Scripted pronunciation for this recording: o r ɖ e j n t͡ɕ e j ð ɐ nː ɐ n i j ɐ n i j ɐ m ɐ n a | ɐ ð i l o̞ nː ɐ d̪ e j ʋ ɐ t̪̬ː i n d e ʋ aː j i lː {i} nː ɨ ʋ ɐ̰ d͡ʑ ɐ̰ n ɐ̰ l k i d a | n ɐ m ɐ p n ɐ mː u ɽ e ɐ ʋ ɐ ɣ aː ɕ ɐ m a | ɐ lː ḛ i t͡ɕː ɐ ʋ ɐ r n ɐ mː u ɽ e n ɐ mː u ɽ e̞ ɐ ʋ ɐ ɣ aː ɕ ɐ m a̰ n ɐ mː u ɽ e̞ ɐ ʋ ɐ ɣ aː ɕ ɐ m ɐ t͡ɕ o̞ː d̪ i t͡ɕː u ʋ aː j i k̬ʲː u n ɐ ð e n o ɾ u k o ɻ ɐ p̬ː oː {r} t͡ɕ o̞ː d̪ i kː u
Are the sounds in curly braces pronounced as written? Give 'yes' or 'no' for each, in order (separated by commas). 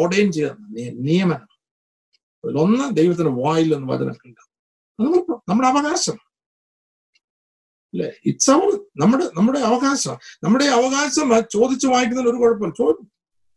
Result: no, no